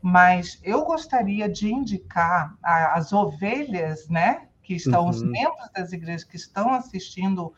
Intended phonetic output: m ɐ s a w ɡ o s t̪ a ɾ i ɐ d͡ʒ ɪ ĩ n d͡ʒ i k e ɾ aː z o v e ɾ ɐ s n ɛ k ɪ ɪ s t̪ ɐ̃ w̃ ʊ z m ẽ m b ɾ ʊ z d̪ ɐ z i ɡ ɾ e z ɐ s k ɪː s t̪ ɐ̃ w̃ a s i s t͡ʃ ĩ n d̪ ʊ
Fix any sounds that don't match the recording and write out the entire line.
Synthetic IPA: m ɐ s e w ɡ o s t̪ a ɾ i ɐ d͡ʒ ɪ ĩ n d͡ʒ i k a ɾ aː z o v e ʎ ɐ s n ɛ k ɪ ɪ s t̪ ɐ̃ w̃ ʊ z m ẽ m b ɾ ʊ z d̪ ɐ z i ɡ ɾ e ʒ ɐ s k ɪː s t̪ ɐ̃ w̃ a s i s t͡ʃ ĩ n d̪ ʊ